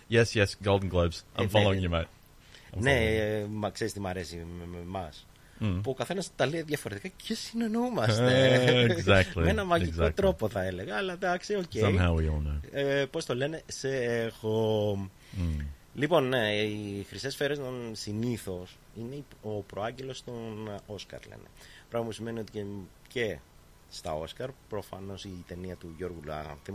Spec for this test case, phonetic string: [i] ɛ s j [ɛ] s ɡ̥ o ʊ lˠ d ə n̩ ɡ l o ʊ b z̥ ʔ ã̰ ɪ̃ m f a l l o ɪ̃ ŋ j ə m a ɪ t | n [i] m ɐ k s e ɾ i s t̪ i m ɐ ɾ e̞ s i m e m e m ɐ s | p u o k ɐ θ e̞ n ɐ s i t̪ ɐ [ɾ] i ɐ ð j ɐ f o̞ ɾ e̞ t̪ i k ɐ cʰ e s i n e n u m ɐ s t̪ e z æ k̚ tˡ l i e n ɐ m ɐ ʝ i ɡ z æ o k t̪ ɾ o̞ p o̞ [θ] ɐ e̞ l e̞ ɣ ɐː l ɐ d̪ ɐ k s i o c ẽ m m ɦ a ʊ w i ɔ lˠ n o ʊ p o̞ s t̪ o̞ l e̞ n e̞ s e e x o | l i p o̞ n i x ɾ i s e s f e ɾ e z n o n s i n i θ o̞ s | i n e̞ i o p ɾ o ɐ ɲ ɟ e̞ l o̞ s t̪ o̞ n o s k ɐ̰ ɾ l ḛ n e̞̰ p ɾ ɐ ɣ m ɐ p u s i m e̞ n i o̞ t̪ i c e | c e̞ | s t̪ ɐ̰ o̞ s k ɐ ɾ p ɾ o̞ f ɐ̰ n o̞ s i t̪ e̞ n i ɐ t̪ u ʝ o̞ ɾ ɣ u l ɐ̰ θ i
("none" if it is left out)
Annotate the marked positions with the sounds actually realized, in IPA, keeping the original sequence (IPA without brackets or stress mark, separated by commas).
j, ɛ, e, l, θ